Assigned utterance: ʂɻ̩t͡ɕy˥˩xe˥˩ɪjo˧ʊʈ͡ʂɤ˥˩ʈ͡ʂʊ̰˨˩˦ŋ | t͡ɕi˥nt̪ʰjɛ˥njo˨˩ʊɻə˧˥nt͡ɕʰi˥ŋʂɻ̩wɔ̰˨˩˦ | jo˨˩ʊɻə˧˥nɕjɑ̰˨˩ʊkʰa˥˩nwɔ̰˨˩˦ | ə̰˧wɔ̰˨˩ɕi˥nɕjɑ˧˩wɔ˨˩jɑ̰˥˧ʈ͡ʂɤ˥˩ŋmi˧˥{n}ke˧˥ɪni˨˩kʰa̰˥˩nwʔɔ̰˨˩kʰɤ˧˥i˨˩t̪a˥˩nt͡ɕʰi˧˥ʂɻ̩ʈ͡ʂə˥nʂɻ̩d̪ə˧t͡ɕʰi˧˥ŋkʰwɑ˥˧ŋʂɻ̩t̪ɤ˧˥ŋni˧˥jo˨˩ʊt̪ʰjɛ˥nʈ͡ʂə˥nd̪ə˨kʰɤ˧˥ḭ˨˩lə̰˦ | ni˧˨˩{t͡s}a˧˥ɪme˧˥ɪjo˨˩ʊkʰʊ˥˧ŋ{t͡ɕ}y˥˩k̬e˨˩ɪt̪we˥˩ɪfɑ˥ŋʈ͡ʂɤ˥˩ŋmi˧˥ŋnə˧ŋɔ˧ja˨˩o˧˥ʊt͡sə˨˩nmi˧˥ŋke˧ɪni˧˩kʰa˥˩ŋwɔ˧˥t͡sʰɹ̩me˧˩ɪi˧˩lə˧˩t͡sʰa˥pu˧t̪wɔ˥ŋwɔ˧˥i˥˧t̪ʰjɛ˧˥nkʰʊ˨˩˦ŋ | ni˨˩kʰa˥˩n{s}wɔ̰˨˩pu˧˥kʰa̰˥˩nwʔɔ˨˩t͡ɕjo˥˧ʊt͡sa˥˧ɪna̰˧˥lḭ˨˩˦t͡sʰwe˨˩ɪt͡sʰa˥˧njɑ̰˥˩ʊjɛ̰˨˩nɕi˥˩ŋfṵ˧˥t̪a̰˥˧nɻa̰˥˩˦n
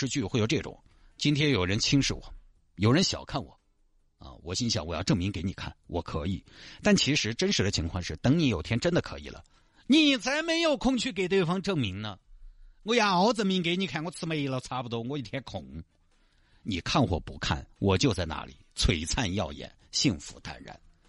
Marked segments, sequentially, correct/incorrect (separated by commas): incorrect, incorrect, incorrect, incorrect